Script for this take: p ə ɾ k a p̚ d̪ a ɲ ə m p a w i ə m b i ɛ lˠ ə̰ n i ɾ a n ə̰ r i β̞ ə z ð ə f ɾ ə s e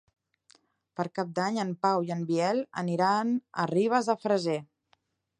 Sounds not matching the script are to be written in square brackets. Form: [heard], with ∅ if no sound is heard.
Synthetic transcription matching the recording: p ə ɾ k a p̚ d̪ a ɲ ə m p a w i ə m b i ɛ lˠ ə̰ n i ɾ a n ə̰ r i β̞ ə z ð ə f ɾ ə [z] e